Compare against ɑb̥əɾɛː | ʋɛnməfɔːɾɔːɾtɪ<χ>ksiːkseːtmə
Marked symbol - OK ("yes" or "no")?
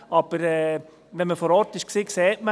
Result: no